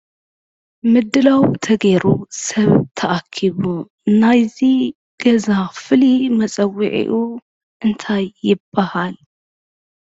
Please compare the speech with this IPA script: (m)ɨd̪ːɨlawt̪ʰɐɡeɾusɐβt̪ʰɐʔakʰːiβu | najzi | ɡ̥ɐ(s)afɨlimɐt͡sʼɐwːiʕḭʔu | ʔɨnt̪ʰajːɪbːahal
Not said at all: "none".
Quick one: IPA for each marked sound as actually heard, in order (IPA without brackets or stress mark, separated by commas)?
m, z